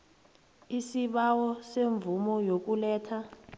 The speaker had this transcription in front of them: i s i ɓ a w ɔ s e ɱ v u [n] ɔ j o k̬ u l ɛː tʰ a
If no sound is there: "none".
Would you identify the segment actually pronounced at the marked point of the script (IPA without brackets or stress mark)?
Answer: m